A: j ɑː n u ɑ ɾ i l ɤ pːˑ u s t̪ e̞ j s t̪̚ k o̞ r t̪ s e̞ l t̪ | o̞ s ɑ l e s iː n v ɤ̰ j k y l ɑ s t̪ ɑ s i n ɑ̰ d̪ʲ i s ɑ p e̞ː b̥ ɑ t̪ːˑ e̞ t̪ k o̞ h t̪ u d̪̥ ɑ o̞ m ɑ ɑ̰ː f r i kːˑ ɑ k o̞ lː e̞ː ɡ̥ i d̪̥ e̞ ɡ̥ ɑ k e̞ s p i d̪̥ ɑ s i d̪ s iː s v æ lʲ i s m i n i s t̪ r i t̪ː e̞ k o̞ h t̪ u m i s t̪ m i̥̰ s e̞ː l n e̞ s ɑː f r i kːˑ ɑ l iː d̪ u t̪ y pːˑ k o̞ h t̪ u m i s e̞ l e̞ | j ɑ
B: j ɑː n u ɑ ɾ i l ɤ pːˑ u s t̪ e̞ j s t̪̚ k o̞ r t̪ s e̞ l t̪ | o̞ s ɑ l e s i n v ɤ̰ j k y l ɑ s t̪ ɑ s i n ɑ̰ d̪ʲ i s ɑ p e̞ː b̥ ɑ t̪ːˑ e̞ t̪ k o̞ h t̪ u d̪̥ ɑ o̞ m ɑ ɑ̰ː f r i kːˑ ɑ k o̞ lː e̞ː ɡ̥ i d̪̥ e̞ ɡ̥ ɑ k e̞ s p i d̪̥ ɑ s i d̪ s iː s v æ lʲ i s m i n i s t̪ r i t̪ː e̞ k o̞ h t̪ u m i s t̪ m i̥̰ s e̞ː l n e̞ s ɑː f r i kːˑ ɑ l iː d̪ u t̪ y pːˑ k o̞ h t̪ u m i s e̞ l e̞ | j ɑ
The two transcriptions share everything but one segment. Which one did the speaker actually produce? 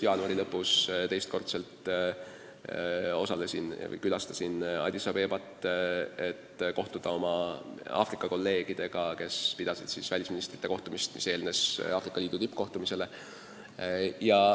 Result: B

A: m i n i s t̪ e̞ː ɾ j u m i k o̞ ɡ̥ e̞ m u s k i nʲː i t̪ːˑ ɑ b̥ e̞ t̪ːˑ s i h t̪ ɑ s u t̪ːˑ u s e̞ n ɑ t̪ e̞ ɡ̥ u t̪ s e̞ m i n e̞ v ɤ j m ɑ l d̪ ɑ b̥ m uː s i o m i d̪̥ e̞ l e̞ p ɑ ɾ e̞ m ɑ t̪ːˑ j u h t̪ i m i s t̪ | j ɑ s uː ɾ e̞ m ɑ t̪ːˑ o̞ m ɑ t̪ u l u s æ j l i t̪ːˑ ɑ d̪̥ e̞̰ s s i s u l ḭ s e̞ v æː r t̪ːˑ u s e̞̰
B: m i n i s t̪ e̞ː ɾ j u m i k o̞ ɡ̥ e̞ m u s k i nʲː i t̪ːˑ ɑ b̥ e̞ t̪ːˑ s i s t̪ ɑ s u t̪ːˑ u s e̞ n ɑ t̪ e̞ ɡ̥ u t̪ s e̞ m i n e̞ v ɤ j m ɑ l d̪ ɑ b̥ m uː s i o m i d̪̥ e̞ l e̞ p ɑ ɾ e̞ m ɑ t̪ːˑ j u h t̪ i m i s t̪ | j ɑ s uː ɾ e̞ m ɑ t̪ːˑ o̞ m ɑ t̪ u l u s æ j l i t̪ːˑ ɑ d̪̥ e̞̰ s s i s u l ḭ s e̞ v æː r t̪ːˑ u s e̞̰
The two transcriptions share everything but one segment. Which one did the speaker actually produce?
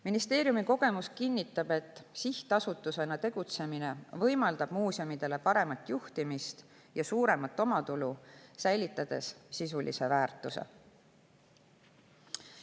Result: A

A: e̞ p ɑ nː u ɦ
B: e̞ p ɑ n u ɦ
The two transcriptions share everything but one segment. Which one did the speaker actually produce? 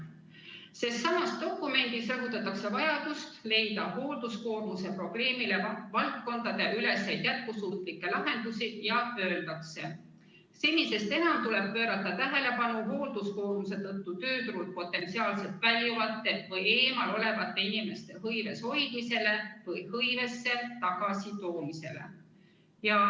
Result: B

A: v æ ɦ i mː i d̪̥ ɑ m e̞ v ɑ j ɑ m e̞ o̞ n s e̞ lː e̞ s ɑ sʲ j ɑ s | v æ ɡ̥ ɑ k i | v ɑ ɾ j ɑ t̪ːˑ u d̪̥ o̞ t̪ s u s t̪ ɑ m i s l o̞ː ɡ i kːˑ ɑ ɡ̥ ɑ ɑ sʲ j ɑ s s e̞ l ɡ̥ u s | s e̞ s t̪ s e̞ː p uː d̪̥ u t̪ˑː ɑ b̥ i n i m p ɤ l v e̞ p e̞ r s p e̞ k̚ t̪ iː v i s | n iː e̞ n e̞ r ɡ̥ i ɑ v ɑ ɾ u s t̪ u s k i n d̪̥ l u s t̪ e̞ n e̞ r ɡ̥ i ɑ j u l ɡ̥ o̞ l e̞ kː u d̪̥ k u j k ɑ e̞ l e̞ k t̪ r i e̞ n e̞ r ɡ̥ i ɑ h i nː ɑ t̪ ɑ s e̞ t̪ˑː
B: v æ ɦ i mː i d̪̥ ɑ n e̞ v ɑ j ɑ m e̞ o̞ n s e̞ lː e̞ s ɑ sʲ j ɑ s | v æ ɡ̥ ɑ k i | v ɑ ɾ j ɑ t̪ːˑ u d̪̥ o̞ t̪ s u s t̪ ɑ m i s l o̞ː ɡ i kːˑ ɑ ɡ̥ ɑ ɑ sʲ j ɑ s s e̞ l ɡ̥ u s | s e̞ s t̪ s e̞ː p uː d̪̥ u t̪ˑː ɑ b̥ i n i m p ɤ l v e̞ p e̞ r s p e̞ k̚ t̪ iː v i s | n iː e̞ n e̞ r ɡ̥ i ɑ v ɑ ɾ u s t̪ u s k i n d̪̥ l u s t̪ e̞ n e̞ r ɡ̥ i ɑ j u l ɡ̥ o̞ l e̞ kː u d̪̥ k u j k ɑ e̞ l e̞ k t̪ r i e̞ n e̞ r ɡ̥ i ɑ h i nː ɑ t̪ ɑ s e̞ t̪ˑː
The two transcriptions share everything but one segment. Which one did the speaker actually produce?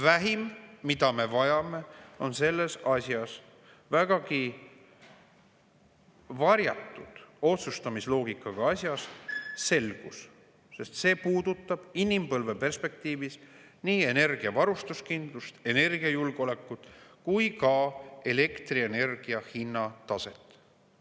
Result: A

